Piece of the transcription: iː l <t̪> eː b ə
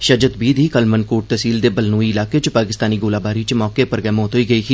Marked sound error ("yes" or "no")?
yes